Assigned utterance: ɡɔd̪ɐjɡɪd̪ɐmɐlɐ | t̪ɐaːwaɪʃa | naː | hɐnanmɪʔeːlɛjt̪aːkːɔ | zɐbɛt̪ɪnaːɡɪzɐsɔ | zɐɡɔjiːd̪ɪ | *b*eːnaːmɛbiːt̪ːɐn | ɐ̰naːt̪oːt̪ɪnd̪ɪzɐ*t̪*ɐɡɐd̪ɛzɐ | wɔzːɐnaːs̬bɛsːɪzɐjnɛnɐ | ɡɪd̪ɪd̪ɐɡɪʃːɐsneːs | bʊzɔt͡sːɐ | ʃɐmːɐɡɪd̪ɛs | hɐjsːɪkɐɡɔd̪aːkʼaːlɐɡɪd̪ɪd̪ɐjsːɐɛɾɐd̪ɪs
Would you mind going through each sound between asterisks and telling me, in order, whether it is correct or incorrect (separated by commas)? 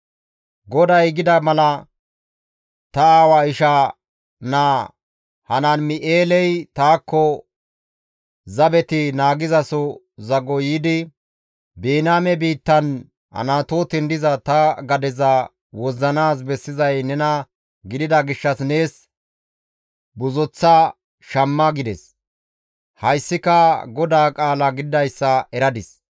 correct, correct